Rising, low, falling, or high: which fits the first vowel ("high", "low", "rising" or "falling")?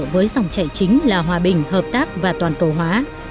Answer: rising